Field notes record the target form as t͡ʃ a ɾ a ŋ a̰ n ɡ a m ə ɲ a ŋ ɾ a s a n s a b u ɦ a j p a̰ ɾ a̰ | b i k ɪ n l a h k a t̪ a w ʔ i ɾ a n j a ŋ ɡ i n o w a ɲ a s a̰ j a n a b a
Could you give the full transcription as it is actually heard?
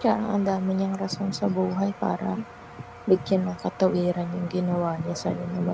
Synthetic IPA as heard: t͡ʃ a ɾ a ŋ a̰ n d a m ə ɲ a ŋ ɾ a s a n s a b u ɦ a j p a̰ ɾ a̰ | b i k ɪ n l a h k a t̪ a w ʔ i ɾ a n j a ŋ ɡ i n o w a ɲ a s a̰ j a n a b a